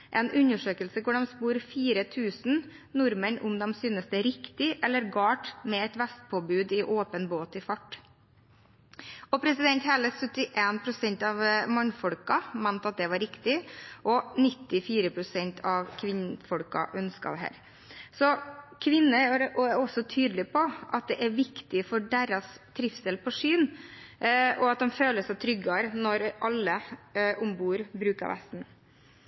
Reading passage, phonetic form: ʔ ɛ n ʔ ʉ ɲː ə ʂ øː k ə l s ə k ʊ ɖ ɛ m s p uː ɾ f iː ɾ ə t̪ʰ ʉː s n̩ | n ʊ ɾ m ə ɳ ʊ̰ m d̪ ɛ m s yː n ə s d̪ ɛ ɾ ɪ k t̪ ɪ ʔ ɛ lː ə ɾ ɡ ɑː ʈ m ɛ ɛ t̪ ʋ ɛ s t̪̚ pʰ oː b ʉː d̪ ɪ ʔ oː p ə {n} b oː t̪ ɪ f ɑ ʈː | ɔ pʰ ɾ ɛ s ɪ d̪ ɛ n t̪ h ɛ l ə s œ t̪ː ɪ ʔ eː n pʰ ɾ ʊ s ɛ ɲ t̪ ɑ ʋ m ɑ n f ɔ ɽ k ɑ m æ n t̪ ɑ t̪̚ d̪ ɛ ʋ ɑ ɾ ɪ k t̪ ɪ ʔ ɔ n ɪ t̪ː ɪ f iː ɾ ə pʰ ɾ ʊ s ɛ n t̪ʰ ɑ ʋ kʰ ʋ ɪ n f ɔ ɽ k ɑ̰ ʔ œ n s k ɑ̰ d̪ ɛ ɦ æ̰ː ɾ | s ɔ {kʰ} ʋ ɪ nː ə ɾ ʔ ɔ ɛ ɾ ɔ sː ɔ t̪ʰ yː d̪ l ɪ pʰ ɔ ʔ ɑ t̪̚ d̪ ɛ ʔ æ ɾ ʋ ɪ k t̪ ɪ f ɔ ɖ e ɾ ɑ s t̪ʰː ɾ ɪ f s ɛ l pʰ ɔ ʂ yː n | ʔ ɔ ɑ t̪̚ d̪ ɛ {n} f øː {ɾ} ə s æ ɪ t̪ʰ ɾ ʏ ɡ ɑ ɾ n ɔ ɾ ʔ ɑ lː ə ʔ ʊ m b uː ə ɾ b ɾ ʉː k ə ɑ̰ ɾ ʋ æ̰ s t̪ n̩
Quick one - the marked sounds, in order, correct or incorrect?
correct, correct, incorrect, incorrect

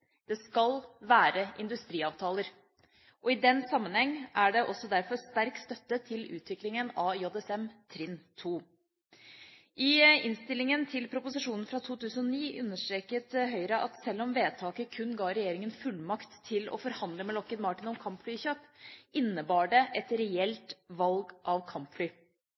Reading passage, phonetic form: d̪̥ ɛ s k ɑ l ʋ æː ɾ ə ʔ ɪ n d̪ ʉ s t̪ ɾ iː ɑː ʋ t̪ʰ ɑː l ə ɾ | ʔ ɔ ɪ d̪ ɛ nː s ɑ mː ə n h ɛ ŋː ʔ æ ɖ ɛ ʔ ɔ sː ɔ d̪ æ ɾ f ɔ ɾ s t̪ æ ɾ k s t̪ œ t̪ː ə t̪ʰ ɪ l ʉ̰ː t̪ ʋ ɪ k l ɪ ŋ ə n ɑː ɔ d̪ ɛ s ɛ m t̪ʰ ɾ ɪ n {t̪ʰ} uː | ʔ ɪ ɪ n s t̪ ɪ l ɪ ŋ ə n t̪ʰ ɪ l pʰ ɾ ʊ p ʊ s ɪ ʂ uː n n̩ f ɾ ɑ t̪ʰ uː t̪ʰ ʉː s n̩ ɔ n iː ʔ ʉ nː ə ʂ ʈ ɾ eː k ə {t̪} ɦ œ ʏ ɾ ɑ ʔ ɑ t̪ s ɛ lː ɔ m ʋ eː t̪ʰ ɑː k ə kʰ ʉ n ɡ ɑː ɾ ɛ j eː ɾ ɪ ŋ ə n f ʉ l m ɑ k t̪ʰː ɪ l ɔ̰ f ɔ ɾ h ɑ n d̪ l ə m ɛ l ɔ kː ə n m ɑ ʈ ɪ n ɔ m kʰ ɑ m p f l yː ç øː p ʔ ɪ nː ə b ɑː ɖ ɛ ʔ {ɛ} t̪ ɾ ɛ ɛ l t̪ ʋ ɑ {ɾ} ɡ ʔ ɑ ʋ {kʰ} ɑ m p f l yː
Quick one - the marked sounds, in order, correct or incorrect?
correct, correct, correct, incorrect, correct

